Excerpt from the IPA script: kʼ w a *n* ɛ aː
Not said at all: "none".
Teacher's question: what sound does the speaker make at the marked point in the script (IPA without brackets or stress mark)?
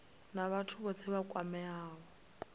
m